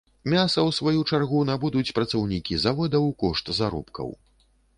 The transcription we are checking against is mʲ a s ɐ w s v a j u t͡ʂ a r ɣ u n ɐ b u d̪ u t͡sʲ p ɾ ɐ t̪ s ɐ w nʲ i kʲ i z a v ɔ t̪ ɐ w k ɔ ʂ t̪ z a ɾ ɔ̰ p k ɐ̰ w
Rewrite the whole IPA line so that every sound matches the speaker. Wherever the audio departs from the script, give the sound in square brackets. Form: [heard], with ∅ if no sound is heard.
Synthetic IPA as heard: mʲ a s ɐ w s v a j u t͡ʂ a r ɣ u n [a] b u d̪ u t͡sʲ p ɾ ɐ t̪ s ɐ w nʲ i kʲ i z a v ɔ [d̪] ɐ w k ɔ ʂ t̪ z a ɾ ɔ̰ p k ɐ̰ w